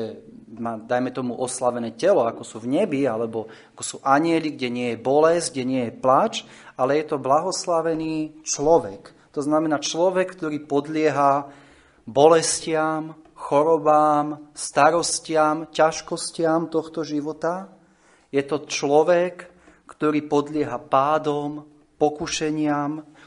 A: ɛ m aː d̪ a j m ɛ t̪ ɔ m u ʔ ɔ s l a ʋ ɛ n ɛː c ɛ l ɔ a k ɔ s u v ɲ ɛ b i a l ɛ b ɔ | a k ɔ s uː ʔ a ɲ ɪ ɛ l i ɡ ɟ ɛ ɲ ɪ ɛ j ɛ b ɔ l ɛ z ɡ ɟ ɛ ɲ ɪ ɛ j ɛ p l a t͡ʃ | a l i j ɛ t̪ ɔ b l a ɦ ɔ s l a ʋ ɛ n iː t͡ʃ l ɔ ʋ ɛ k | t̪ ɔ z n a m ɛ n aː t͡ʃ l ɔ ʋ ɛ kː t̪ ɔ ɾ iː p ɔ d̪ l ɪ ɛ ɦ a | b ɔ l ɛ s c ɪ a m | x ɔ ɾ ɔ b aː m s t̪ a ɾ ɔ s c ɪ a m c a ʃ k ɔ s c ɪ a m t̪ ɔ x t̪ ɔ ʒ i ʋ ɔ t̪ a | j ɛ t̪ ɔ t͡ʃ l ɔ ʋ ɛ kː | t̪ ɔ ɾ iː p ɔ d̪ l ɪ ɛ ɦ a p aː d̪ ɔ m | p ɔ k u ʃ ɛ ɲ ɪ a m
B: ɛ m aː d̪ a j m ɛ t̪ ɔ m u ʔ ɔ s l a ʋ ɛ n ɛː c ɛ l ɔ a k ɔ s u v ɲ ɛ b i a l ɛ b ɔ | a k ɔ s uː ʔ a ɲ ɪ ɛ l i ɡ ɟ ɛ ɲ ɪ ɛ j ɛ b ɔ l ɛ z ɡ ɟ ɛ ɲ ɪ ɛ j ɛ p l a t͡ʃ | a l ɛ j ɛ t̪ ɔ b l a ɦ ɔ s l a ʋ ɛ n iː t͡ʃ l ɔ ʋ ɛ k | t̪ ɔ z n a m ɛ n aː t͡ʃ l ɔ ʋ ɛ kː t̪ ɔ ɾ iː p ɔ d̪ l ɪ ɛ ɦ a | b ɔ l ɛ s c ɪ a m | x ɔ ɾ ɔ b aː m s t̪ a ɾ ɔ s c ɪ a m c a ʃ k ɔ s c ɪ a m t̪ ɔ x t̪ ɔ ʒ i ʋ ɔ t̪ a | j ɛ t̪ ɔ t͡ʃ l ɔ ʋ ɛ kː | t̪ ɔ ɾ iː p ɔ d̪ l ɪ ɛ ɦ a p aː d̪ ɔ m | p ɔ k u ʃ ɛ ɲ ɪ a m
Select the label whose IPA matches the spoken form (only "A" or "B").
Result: B